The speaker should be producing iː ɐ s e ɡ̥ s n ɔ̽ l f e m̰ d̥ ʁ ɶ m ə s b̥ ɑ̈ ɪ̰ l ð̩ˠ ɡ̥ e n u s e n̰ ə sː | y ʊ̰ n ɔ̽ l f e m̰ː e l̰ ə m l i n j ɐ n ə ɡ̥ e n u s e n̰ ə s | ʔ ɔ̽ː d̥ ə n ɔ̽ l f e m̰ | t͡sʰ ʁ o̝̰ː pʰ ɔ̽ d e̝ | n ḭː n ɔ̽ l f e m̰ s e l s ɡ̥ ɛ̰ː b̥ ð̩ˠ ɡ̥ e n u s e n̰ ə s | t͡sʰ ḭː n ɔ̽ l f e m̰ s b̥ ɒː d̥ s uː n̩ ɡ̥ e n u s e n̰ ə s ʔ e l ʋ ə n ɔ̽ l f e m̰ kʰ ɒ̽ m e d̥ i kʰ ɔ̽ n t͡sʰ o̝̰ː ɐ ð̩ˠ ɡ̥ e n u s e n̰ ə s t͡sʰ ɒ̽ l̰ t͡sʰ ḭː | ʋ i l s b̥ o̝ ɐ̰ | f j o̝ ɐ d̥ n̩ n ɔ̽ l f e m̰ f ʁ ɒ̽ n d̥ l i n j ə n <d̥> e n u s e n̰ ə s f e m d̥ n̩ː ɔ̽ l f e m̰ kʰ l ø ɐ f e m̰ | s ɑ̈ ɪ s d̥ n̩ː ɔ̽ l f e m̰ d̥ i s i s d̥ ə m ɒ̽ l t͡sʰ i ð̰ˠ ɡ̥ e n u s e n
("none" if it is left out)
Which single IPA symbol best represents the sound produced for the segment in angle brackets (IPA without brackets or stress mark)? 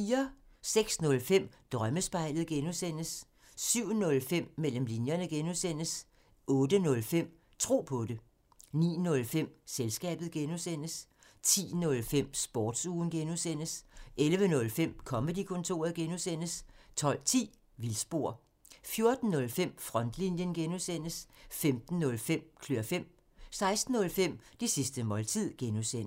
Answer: ɡ̥